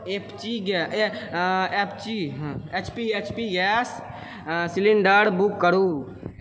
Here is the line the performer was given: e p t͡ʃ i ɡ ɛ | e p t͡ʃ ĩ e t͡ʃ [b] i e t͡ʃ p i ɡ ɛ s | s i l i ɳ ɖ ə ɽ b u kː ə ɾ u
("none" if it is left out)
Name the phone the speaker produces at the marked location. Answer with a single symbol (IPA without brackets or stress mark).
p